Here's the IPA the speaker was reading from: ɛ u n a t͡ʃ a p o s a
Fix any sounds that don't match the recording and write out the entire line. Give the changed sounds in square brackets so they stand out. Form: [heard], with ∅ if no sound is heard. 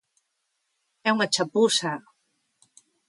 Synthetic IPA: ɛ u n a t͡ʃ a p [u] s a